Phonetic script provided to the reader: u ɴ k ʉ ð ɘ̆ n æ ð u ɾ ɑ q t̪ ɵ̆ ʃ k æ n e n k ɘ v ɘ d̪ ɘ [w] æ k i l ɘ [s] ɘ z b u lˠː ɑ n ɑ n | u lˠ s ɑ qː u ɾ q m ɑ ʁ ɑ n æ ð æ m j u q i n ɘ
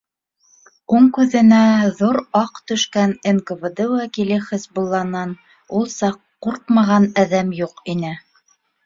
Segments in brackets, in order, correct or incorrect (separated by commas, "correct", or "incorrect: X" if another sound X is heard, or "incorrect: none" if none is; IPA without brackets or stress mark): correct, incorrect: χ